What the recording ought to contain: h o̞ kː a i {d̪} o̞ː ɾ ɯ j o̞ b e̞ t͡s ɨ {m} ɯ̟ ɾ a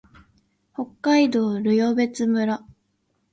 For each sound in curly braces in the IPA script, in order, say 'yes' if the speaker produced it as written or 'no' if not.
yes, yes

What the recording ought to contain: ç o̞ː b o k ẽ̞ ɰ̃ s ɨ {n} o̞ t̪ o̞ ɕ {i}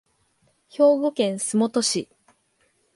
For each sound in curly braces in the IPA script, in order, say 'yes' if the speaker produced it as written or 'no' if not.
no, yes

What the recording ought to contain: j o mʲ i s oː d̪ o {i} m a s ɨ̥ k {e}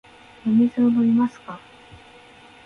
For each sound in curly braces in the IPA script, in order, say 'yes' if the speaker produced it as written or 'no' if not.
yes, no

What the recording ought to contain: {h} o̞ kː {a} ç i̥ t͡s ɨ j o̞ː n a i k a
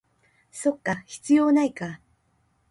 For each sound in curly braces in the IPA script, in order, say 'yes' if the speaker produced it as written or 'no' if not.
no, yes

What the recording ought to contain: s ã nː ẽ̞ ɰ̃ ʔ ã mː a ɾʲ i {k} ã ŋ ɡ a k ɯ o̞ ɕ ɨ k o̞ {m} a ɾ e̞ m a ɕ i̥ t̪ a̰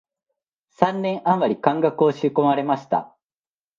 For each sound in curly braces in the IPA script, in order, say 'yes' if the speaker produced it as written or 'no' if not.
yes, yes

